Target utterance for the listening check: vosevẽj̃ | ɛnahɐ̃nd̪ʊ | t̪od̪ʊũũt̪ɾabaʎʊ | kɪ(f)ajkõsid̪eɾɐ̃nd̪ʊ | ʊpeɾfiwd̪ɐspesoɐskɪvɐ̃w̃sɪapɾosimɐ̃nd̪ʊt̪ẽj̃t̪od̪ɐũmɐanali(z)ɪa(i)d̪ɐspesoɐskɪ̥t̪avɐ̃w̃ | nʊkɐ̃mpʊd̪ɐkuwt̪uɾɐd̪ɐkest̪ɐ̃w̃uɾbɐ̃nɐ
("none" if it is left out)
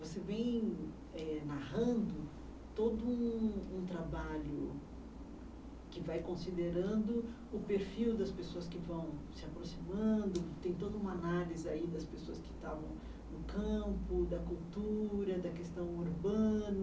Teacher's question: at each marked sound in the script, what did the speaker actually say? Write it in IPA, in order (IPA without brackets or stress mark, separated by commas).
v, z, i